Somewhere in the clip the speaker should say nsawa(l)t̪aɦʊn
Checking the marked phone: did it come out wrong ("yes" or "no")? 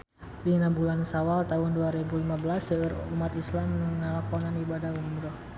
no